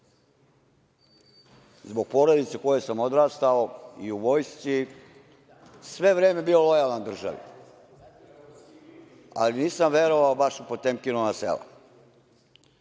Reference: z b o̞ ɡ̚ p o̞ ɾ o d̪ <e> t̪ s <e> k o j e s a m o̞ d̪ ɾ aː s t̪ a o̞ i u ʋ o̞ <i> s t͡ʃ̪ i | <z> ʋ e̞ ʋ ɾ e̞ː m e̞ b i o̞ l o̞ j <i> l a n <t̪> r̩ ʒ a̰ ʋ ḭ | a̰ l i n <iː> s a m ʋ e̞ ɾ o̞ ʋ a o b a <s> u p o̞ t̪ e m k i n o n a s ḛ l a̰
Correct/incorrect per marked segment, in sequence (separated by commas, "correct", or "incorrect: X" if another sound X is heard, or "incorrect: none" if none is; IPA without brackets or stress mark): incorrect: i, correct, incorrect: j, incorrect: s, incorrect: a, incorrect: d̪, correct, incorrect: ʃ